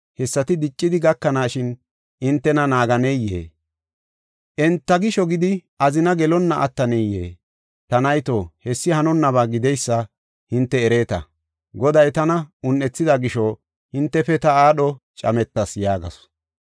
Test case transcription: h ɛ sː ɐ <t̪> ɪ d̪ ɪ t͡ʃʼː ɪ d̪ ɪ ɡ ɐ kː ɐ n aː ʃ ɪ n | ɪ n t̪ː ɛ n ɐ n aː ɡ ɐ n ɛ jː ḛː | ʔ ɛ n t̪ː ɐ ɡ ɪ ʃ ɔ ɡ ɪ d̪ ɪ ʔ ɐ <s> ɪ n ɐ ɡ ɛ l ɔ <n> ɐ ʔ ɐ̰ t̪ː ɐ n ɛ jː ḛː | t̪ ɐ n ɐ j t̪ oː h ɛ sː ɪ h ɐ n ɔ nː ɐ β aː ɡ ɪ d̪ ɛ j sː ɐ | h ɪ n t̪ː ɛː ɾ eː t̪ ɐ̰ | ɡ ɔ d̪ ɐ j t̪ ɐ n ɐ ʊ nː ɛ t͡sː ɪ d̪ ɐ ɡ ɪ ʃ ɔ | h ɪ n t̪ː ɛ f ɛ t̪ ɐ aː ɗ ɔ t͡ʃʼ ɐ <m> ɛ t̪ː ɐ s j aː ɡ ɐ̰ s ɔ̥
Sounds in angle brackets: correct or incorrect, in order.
correct, incorrect, incorrect, correct

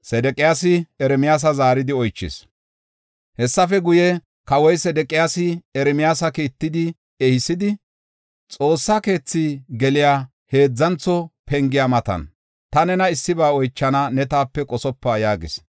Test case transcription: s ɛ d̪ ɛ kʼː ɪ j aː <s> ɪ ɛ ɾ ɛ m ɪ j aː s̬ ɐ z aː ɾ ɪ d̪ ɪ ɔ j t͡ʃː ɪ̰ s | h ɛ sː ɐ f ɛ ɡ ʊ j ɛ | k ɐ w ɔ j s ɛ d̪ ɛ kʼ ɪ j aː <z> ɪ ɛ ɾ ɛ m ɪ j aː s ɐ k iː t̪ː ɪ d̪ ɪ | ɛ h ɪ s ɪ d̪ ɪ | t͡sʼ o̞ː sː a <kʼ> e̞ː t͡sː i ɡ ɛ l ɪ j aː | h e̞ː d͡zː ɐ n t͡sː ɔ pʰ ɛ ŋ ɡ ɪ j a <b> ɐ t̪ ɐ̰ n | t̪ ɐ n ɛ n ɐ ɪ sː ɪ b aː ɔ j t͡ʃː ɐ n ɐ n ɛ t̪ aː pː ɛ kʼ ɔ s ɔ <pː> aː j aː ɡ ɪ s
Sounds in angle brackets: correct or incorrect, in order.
correct, incorrect, incorrect, incorrect, correct

